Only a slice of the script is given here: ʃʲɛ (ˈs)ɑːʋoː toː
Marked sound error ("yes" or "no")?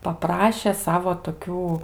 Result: no